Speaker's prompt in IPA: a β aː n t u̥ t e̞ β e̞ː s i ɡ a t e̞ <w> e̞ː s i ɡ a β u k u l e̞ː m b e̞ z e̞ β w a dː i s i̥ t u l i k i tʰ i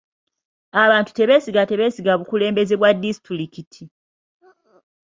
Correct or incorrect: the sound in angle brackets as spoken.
incorrect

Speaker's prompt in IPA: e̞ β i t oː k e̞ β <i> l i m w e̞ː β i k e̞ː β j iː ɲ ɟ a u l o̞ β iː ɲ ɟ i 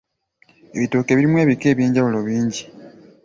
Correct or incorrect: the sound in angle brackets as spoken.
correct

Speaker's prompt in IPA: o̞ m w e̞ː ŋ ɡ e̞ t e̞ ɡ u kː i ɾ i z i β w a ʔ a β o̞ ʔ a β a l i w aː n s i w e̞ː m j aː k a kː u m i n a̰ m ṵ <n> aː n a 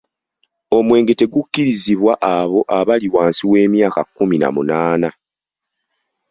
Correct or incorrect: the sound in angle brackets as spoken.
correct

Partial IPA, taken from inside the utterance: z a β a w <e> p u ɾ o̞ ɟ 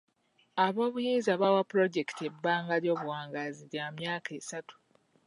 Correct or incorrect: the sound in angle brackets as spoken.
incorrect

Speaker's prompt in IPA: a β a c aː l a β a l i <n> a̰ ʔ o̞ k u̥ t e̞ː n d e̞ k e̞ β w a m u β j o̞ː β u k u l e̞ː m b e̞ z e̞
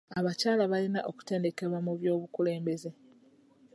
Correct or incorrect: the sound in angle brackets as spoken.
correct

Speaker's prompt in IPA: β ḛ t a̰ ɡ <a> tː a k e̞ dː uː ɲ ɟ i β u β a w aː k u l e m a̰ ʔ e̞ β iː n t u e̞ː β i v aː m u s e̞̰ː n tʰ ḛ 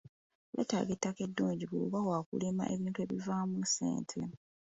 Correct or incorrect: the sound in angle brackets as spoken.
incorrect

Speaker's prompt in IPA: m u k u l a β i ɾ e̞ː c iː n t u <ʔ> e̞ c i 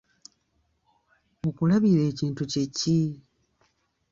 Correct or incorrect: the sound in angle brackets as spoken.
incorrect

